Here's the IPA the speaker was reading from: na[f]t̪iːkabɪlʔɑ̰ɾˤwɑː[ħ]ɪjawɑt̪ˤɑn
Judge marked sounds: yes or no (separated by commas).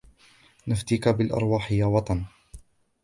yes, yes